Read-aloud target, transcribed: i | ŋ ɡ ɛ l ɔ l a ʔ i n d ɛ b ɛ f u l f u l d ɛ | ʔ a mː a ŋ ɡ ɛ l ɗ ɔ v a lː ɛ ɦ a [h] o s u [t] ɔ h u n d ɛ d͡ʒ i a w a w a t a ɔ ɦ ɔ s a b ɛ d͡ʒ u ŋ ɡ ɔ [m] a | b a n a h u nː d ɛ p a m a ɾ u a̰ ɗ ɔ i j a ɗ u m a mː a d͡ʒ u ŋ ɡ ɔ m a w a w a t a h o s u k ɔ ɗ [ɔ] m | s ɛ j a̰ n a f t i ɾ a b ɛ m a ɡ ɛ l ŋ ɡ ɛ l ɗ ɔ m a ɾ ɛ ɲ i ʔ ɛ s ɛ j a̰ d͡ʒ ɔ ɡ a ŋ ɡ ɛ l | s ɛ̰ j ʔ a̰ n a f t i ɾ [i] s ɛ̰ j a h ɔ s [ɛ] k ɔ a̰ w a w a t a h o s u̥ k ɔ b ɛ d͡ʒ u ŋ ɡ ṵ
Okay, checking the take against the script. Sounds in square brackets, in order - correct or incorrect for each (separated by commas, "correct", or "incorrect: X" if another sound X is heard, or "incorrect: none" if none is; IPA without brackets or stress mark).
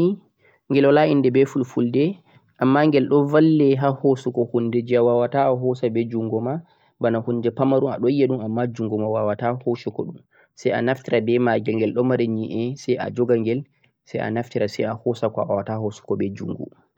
correct, incorrect: k, correct, incorrect: u, incorrect: a, incorrect: a